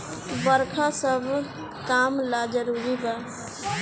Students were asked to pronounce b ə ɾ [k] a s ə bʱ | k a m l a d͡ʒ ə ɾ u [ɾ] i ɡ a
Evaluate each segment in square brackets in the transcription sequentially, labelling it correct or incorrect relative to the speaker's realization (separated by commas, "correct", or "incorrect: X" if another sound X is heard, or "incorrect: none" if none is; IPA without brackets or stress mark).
incorrect: kʰ, correct